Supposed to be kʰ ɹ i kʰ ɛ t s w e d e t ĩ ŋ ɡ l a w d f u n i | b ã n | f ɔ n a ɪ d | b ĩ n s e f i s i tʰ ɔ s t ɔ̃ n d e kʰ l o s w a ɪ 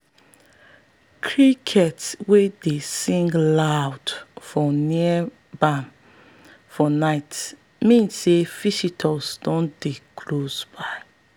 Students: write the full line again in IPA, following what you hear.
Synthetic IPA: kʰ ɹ i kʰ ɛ t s w e d e s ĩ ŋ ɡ l a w d f ɔ n i | b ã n | f ɔ n a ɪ t | m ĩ n s e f i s i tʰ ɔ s d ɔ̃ n d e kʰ l o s b a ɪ